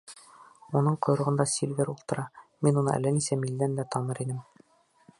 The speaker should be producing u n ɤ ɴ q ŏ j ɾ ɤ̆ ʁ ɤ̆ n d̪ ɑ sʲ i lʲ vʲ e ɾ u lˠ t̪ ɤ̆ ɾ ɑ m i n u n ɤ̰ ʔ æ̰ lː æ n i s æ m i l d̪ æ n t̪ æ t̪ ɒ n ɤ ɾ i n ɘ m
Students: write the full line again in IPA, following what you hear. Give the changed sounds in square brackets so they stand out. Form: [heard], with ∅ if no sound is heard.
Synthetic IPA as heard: u n ɤ ɴ q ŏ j ɾ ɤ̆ ʁ ɤ̆ n d̪ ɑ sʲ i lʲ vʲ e ɾ u lˠ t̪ ɤ̆ ɾ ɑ m i n u n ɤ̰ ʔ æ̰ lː æ n i s æ m i l d̪ æ n [d̪] æ t̪ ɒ n ɤ ɾ i n ɘ m